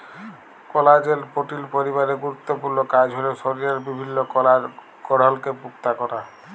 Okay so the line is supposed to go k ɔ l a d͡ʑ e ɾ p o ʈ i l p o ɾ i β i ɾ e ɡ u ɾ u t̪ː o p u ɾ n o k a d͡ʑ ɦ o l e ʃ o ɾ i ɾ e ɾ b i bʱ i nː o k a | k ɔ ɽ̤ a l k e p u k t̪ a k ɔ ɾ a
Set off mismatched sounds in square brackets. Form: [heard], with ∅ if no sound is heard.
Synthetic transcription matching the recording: k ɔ l a d͡ʑ e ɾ p o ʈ i l p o ɾ i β [a] ɾ e ɡ u ɾ u t̪ː o p u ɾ n o k a d͡ʑ ɦ o l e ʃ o ɾ i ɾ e ɾ b i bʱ i nː o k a | k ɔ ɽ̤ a l k e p u k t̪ a k ɔ ɾ a

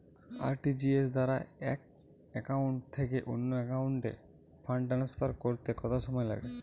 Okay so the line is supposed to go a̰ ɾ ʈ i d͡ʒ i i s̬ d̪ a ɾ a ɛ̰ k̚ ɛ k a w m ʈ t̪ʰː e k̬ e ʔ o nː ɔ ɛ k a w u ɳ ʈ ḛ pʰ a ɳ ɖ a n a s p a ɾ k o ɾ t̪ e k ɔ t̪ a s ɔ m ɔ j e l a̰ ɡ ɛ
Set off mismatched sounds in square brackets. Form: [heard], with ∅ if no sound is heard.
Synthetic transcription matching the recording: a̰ ɾ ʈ i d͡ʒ i [e] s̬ d̪ a ɾ a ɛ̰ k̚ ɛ k a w [ɳ] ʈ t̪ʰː e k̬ e ʔ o nː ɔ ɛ k a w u ɳ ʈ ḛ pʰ a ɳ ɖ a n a s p a ɾ k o ɾ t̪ e k ɔ t̪ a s ɔ m ɔ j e l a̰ ɡ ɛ

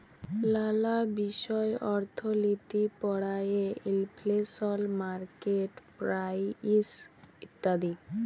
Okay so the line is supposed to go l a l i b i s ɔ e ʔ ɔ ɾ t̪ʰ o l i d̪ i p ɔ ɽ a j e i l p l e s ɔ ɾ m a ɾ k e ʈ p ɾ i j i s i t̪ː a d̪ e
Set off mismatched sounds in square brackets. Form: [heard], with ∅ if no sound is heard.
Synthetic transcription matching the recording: l a l [a] b i [ʃ] ɔ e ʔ ɔ ɾ t̪ʰ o l i [t̪] i p ɔ ɽ a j e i l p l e s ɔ [l] m a ɾ k e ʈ p ɾ [a] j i s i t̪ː a d̪ [i]

